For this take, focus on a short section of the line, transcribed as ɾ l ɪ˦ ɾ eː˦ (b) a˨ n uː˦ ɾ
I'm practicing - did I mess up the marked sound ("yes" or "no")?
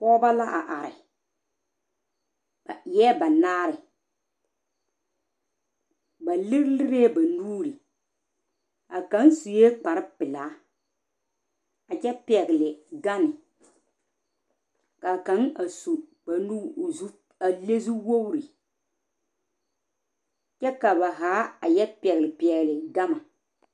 no